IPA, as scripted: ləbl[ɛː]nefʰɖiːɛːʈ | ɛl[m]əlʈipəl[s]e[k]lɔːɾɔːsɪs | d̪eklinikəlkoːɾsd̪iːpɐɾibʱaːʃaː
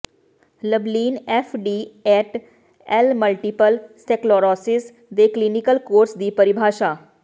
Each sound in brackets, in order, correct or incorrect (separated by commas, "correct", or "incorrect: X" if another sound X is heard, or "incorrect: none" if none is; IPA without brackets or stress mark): incorrect: iː, correct, correct, correct